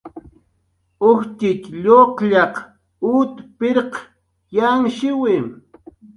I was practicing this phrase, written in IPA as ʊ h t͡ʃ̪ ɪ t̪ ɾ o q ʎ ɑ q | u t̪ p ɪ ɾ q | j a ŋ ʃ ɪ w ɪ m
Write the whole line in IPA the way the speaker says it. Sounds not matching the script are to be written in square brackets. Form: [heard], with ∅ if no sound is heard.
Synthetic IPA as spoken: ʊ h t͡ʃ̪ ɪ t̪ [ʎ] o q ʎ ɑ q | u t̪ p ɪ ɾ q | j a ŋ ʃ ɪ w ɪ m